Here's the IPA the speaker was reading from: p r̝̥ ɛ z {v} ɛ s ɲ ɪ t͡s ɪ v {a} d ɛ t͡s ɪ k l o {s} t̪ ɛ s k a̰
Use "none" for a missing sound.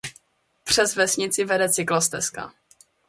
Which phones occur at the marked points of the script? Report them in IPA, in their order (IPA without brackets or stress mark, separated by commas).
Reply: v, ɛ, s